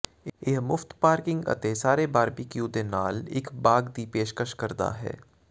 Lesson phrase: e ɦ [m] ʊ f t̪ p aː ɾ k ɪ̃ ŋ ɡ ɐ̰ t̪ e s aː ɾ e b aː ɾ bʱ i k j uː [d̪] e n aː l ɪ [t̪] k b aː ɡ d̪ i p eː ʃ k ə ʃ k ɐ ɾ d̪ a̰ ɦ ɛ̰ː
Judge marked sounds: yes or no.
yes, yes, no

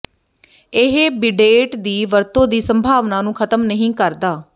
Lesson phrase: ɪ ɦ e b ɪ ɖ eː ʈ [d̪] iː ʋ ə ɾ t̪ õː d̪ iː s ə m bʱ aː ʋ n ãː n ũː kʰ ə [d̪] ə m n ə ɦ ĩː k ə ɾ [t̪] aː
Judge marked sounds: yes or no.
yes, no, no

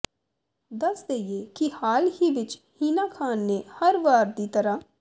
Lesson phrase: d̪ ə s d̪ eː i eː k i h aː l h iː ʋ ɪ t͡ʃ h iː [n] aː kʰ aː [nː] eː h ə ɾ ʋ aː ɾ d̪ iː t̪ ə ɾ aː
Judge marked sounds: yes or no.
yes, yes

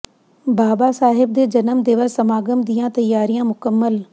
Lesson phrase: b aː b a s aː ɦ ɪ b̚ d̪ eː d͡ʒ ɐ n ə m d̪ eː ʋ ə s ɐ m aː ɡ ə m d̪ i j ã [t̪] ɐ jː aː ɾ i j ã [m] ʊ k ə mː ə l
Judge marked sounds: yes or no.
yes, yes

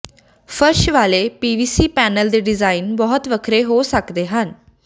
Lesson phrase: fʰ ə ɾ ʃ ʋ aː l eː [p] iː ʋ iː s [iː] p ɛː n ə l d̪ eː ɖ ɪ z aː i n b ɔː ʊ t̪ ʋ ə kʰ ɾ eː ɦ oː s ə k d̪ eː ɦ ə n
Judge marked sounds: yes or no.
yes, yes

